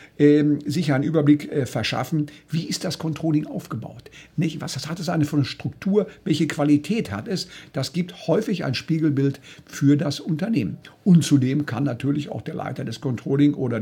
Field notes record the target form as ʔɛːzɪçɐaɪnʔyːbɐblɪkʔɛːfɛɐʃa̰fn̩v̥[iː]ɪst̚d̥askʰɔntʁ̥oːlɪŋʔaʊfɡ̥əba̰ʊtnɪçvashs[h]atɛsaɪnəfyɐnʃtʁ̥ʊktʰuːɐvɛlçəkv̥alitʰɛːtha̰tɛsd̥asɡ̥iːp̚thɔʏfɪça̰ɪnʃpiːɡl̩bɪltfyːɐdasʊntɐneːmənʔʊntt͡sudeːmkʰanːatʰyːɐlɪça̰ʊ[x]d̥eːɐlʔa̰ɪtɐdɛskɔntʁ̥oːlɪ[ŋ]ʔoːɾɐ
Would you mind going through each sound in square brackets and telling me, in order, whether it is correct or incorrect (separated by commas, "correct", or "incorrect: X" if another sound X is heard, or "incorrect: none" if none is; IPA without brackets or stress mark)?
correct, correct, correct, correct